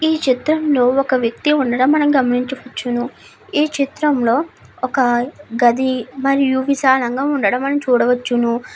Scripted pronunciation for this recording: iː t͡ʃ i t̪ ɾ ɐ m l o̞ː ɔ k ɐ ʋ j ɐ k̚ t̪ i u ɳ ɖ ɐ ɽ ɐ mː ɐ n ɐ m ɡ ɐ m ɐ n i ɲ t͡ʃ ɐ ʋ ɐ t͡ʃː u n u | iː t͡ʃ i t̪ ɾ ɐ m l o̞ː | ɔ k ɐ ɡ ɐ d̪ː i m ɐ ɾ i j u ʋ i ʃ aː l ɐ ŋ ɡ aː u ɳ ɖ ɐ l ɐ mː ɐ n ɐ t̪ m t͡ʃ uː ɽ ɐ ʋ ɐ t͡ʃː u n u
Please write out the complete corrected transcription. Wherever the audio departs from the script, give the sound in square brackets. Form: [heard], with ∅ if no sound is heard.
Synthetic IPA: iː t͡ʃ i t̪ ɾ ɐ m l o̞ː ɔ k ɐ ʋ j ɐ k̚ t̪ i u ɳ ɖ ɐ ɽ ɐ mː ɐ n ɐ m ɡ ɐ m ɐ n i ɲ t͡ʃ ɐ ʋ ɐ t͡ʃː u n u | iː t͡ʃ i t̪ ɾ ɐ m l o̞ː | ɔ k ɐ ɡ ɐ [d̪] i m ɐ ɾ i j u ʋ i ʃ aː l ɐ ŋ ɡ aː u ɳ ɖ ɐ [ɽ] ɐ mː ɐ n ɐ [∅] m t͡ʃ uː ɽ ɐ ʋ ɐ t͡ʃː u n u

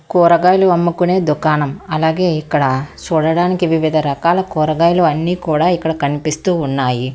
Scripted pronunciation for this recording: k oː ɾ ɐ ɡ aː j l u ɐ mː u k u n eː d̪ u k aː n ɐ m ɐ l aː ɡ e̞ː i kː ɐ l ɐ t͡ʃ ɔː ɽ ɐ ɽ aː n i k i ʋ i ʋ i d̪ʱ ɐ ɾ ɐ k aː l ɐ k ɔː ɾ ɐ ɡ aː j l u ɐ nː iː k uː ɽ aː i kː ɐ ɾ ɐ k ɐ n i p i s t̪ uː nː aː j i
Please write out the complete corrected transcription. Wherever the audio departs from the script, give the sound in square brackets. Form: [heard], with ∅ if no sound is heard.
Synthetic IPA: k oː ɾ ɐ ɡ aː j l u ɐ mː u k u n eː d̪ u k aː n ɐ m ɐ l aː ɡ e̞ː i kː ɐ [ɽ] ɐ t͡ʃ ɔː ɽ ɐ ɽ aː n i k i ʋ i ʋ i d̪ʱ ɐ ɾ ɐ k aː l ɐ k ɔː ɾ ɐ ɡ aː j l u ɐ nː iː k uː ɽ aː i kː ɐ [ɽ] ɐ k ɐ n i p i s t̪ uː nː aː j i

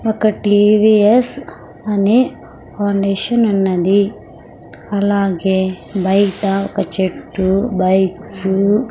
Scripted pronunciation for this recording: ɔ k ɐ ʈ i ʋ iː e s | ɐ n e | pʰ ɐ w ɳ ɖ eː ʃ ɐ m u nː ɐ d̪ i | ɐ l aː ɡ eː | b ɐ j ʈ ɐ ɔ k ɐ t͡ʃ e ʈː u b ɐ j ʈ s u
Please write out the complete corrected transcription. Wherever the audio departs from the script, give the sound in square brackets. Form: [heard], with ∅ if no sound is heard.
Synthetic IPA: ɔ k ɐ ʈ i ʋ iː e s | ɐ n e | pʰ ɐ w ɳ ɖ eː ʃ ɐ [n] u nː ɐ d̪ i | ɐ l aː ɡ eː | b ɐ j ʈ ɐ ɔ k ɐ t͡ʃ e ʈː u b ɐ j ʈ s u

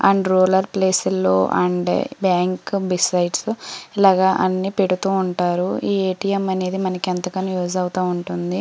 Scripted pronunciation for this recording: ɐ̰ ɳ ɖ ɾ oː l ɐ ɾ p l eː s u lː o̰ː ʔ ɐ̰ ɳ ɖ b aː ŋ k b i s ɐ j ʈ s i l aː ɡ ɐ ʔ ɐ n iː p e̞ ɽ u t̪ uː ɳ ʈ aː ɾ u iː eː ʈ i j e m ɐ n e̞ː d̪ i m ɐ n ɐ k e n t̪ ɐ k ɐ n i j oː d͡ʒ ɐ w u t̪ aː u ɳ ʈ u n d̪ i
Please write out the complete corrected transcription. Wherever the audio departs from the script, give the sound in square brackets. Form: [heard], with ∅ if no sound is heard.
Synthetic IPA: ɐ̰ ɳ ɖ ɾ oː l ɐ ɾ p l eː s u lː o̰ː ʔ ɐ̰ ɳ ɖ b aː ŋ k b i s ɐ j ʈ s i l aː ɡ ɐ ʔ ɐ [nː] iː p e̞ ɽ u t̪ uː ɳ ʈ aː ɾ u iː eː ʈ i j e m ɐ n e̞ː d̪ i m ɐ n ɐ k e n t̪ ɐ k ɐ n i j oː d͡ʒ ɐ w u t̪ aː u ɳ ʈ u n d̪ i

